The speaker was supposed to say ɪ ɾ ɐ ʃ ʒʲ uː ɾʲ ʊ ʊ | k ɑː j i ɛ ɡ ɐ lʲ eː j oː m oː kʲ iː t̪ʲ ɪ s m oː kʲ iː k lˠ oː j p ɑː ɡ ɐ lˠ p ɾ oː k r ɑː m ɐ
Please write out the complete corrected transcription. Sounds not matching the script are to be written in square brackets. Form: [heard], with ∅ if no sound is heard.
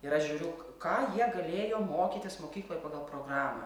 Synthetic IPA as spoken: ɪ ɾ ɐ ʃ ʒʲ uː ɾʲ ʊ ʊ | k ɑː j i ɛ ɡ ɐ lʲ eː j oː m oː kʲ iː t̪ʲ ɪ s m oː kʲ iː k lˠ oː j p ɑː ɡ ɐ lˠ p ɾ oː [ɡ] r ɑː m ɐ